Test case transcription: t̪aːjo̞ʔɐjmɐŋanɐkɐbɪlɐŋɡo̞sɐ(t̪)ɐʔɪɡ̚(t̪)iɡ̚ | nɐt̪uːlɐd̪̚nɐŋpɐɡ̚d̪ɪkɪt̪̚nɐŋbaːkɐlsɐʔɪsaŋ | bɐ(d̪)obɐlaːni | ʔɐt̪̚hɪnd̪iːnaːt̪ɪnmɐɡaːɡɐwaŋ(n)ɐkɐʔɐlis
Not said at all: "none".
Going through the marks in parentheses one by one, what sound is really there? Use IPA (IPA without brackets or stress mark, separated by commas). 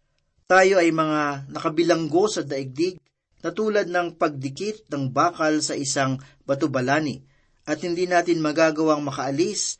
d̪, d̪, t̪, m